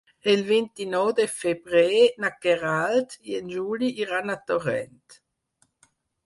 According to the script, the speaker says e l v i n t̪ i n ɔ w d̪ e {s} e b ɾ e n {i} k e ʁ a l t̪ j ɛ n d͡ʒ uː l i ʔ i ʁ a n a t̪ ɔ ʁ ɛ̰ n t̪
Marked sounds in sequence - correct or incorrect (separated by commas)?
incorrect, incorrect